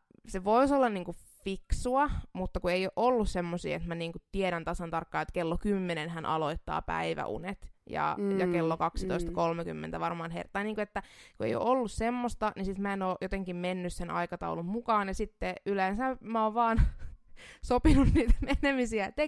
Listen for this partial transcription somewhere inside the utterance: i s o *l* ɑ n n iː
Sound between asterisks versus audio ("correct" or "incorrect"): incorrect